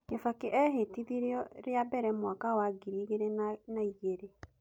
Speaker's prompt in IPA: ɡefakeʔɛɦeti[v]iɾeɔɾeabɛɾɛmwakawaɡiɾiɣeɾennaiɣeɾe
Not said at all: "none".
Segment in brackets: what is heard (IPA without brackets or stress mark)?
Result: ð